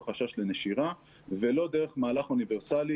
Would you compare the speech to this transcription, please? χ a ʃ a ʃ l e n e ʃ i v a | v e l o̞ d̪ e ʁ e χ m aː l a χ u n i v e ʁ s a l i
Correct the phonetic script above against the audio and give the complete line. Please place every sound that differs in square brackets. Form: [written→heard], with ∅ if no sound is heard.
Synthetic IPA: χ a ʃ a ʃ l e n e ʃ i [v→ʁ] a | v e l o̞ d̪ e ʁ e χ m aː l a χ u n i v e ʁ s a l i